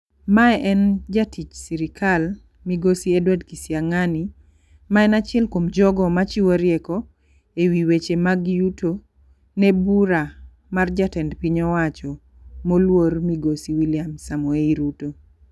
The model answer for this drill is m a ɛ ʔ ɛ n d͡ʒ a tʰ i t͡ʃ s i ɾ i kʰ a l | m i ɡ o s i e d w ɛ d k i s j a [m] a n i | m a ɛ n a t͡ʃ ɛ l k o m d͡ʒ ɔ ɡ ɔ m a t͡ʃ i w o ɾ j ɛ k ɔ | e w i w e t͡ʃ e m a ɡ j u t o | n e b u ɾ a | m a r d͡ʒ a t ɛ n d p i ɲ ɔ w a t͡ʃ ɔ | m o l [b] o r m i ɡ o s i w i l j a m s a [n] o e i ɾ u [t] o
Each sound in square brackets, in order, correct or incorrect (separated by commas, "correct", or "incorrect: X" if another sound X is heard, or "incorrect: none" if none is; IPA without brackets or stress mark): incorrect: ŋ, incorrect: w, incorrect: m, correct